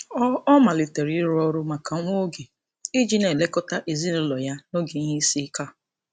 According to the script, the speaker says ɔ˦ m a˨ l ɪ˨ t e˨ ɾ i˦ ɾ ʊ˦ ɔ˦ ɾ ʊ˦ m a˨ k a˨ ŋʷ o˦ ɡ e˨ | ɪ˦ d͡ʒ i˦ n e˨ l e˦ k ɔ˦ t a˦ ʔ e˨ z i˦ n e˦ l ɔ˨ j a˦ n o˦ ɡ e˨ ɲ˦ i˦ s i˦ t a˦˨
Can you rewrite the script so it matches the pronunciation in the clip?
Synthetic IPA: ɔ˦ m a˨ l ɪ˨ t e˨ ɾ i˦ ɾ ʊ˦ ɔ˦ ɾ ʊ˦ m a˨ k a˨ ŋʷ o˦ ɡ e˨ | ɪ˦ d͡ʒ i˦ n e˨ l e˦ k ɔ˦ t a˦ ʔ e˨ z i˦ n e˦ l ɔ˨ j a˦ n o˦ ɡ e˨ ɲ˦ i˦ s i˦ k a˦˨